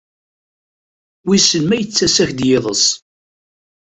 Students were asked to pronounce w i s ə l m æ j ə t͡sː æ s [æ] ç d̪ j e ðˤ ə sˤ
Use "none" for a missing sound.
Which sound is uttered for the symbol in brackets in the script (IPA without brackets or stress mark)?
æ